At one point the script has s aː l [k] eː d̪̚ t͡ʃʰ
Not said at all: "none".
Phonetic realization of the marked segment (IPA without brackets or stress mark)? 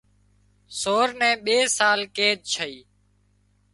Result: k